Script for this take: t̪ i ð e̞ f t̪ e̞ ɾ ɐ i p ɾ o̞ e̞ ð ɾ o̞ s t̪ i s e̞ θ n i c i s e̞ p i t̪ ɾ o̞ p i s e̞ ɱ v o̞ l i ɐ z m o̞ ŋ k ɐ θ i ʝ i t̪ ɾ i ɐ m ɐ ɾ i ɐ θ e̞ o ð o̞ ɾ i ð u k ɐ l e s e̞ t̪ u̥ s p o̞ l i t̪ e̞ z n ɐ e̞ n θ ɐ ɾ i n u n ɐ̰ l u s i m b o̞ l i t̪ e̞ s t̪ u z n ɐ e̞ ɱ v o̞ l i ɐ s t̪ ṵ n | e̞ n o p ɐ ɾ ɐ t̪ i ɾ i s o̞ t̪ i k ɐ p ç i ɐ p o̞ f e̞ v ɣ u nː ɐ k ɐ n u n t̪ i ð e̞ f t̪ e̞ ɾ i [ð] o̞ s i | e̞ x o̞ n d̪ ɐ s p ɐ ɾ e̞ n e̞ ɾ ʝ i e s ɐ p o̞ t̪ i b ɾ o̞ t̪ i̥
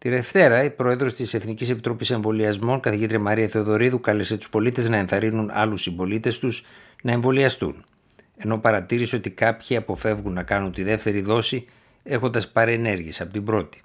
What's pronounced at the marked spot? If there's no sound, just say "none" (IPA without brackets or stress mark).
ð